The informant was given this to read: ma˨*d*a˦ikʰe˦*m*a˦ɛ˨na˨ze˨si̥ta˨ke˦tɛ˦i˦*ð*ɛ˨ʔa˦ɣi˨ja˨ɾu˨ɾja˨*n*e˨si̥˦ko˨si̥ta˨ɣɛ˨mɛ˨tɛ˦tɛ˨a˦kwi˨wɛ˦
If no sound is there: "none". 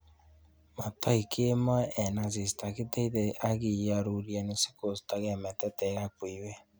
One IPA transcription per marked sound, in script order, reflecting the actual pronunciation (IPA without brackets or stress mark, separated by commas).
t, m, ð, n